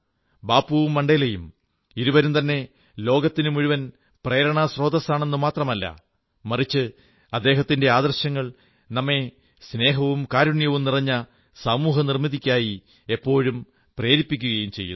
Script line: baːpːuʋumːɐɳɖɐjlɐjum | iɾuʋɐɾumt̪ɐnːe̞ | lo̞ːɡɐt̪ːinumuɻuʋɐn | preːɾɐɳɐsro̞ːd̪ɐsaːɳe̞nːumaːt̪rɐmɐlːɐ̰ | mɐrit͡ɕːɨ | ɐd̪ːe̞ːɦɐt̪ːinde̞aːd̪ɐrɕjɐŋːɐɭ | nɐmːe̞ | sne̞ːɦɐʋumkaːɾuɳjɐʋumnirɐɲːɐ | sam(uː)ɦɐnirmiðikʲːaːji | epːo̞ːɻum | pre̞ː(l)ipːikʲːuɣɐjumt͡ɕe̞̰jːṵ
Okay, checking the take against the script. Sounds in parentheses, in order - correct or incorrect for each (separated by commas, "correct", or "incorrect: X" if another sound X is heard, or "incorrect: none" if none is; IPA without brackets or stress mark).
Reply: correct, incorrect: ɾ